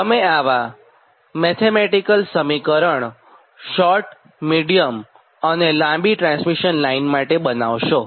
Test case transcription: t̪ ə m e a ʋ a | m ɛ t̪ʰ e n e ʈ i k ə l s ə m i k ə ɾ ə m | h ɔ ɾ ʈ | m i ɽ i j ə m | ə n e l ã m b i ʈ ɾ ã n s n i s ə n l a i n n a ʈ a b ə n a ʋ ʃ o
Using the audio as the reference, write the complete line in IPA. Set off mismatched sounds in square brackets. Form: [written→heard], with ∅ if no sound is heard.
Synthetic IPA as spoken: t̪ ə m e a ʋ a | m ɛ t̪ʰ e [n→m] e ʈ i k ə l s ə m i k ə ɾ ə [m→ɳ] | [h→ʃ] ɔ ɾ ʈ | m i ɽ i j ə m | ə n e l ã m b i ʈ ɾ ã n s [n→m] i [s→ʃ] ə n l a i n [n→m] a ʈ [a→e] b ə n a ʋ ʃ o